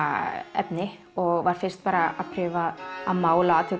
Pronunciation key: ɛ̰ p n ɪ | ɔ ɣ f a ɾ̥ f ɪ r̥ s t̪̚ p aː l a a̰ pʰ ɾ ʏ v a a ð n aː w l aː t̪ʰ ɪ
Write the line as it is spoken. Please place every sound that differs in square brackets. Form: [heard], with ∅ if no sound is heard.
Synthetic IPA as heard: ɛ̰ p n ɪ | ɔ ɣ [v] a ɾ̥ f ɪ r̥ s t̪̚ p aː [ɾ] a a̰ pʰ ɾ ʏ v a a ð [m] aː w l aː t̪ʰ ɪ